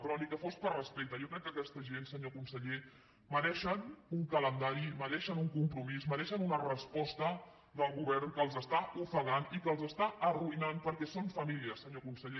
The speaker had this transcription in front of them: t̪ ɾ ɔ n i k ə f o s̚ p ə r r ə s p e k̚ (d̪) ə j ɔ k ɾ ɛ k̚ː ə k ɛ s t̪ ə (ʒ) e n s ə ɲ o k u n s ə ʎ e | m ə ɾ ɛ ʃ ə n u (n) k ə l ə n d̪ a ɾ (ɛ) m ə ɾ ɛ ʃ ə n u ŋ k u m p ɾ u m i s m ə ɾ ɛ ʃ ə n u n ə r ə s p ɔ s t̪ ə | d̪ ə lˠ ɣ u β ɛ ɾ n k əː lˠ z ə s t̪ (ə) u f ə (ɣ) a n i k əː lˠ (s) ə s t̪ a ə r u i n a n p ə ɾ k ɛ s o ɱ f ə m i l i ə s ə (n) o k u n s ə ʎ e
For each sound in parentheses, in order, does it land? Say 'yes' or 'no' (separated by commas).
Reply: no, yes, no, no, no, yes, no, no